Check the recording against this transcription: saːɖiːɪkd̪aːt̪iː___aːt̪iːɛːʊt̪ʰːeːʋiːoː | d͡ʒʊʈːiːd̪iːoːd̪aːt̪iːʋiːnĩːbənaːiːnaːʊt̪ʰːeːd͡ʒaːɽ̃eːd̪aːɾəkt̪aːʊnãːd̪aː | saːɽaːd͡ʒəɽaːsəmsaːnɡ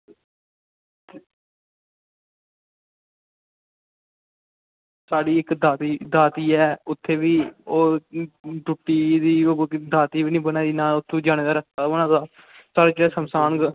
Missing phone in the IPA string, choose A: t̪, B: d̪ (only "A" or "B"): B